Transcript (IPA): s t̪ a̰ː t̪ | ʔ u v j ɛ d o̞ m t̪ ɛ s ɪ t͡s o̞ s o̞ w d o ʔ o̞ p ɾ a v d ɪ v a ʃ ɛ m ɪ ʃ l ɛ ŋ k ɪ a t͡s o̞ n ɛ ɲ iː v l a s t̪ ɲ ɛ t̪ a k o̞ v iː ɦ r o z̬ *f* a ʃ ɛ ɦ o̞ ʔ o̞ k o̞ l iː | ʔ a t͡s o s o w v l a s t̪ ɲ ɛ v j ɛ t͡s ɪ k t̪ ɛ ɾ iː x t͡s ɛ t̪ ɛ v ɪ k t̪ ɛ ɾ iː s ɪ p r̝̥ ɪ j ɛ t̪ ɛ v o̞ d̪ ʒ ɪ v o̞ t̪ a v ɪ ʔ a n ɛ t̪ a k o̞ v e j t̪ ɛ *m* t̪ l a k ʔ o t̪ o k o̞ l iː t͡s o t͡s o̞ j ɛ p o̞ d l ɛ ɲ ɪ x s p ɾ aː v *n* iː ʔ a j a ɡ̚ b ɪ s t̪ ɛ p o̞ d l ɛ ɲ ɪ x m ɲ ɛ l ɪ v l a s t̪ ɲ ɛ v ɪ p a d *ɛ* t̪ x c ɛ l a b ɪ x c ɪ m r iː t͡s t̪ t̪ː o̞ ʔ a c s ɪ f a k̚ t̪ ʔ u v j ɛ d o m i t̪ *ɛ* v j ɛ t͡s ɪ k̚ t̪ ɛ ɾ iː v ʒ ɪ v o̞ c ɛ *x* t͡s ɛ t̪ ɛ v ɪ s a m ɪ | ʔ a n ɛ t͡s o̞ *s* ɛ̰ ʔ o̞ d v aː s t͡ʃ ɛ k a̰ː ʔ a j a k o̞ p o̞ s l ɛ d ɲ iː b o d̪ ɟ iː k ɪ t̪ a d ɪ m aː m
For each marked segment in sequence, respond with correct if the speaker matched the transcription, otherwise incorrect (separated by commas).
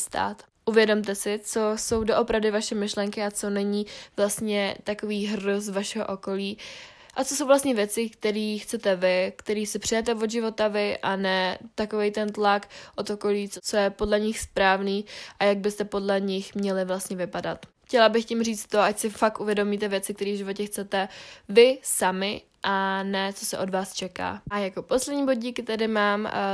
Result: incorrect, incorrect, correct, incorrect, correct, correct, correct